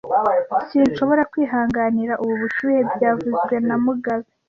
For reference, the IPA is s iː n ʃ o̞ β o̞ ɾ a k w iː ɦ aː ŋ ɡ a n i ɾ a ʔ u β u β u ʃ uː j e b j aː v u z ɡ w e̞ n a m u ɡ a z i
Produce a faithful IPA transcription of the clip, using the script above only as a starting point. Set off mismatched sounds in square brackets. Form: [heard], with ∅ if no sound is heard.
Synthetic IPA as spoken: s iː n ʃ o̞ β o̞ ɾ a k w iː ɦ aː ŋ ɡ a n i ɾ a ʔ u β u β u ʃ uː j e b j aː v u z ɡ w e̞ n a m u ɡ a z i